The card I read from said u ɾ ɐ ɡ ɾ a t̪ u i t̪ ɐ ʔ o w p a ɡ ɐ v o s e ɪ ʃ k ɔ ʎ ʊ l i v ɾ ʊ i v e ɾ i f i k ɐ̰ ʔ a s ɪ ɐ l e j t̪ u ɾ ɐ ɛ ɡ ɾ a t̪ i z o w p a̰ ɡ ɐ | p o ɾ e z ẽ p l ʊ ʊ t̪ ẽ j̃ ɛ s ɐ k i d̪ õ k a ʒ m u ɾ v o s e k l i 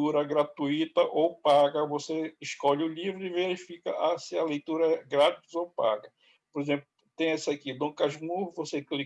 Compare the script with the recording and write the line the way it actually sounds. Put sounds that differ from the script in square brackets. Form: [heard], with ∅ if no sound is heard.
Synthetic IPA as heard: u ɾ ɐ ɡ ɾ a t̪ u i t̪ ɐ ʔ o w p a ɡ ɐ v o s e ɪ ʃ k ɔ ʎ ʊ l i v ɾ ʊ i v e ɾ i f i k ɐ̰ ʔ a s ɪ ɐ l e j t̪ u ɾ ɐ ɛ ɡ ɾ a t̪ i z o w p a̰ ɡ ɐ | p o ɾ e z ẽ p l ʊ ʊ t̪ ẽ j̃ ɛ s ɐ k i d̪ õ k a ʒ m u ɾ v o s e k l i